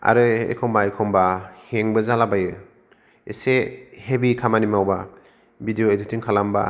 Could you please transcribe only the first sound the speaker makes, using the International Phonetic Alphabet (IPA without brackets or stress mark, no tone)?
a̰